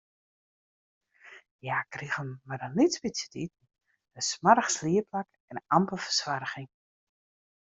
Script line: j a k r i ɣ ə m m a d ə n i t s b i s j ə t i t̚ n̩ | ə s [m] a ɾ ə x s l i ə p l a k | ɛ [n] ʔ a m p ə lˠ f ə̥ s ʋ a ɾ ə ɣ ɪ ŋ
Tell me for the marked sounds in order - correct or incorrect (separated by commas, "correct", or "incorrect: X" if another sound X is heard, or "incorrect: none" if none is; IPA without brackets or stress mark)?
correct, correct